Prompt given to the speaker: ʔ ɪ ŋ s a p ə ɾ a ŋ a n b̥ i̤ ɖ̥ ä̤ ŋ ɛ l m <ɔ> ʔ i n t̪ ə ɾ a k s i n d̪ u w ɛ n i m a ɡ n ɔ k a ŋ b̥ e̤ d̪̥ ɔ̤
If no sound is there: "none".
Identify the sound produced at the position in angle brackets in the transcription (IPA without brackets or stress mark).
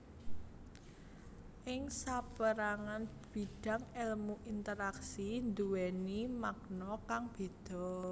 u